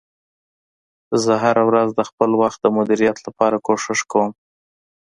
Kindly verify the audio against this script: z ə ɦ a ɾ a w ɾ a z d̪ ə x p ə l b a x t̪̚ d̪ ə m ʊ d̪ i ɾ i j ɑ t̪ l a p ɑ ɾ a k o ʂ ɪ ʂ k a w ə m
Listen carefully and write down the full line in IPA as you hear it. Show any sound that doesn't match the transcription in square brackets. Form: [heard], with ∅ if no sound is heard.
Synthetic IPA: z ə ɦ a ɾ a w ɾ a z d̪ ə x p ə l [w] a x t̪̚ d̪ ə m ʊ d̪ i ɾ i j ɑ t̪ l a p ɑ ɾ a k o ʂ ɪ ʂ k a w ə m